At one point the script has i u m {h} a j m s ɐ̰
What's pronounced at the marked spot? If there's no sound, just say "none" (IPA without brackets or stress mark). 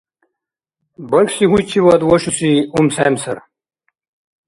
s